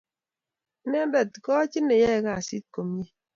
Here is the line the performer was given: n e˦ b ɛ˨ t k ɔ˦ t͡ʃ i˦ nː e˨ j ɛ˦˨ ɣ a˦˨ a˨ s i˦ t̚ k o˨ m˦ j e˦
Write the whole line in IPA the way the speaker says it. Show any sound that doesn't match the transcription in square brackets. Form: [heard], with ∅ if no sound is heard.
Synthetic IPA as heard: n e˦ b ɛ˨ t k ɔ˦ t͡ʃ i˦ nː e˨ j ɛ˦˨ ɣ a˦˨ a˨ s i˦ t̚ k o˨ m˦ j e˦